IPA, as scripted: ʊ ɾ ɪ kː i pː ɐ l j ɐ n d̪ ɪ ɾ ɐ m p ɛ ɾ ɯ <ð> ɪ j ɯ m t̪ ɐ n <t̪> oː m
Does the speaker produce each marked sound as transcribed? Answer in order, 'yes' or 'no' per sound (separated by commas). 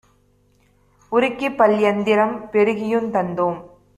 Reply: no, no